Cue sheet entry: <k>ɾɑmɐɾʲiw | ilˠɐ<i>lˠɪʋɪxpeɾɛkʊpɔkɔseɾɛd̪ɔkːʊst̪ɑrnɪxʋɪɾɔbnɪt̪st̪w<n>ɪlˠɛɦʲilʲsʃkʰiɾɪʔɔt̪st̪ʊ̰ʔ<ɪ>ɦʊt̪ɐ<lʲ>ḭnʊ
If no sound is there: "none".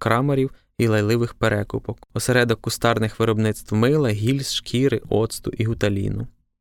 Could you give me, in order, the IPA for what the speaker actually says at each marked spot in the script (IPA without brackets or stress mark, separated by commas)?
k, j, m, i, lʲ